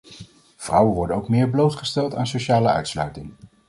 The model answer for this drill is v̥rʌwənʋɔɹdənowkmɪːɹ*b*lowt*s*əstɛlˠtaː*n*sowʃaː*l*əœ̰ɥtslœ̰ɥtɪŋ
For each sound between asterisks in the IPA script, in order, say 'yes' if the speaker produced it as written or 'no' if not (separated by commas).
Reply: yes, no, yes, yes